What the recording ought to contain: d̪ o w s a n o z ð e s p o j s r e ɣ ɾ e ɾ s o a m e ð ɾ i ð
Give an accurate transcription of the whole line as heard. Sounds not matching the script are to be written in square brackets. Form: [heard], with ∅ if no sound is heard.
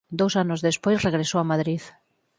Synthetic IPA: d̪ o w s a n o z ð e s p o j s r e ɣ ɾ e [∅] s o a m [a] ð ɾ i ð